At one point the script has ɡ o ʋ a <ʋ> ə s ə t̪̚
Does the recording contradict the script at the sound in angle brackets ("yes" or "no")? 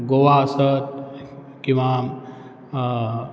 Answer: yes